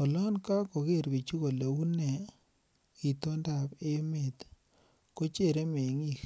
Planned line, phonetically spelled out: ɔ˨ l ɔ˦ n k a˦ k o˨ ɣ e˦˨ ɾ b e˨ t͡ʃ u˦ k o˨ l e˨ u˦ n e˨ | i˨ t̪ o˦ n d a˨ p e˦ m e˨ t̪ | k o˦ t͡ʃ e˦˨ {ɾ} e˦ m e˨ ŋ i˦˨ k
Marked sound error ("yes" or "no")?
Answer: no